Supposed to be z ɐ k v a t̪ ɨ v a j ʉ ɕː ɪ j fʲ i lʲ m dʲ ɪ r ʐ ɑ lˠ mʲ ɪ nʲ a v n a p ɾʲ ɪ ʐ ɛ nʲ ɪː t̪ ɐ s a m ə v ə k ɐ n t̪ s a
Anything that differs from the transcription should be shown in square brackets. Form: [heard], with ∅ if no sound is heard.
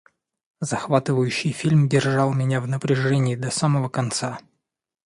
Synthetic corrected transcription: z ɐ [x] v a t̪ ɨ v [ə] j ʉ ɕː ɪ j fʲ i lʲ m dʲ ɪ r ʐ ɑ lˠ mʲ ɪ nʲ a v n [ə] p ɾʲ ɪ ʐ ɛ nʲ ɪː [d̪] ɐ s a m ə v ə k ɐ n t̪ s a